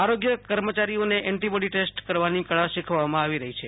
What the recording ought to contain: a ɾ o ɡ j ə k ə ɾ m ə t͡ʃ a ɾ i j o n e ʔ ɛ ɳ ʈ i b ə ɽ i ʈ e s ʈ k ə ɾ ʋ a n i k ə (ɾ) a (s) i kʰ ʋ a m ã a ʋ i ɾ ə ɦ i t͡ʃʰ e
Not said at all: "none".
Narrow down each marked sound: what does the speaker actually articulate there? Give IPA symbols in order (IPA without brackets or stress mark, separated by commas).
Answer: ɭ, ʃ